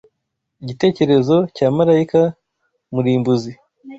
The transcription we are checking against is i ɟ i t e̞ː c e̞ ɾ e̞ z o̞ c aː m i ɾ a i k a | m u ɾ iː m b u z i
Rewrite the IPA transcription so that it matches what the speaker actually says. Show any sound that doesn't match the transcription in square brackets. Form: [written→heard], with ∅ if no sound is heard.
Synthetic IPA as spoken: i ɟ i t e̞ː c e̞ ɾ e̞ z o̞ c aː m [i→a] ɾ a i k a | m u ɾ iː m b u z i